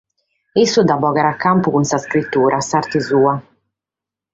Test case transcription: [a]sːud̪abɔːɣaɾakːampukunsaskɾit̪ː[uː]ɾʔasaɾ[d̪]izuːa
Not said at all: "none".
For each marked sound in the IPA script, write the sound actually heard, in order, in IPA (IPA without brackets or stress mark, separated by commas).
i, uː, t̪